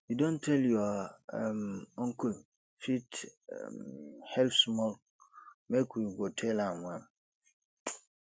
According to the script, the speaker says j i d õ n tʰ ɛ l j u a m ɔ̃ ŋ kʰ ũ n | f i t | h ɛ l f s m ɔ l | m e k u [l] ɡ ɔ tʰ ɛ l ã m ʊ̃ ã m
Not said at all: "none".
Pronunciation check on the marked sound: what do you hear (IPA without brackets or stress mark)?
none